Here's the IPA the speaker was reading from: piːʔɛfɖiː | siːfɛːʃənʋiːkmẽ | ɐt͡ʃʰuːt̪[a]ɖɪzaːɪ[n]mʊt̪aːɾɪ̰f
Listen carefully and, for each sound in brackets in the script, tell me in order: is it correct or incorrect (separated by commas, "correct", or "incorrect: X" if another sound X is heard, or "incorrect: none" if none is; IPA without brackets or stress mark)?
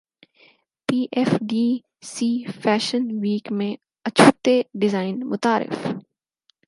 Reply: incorrect: e, correct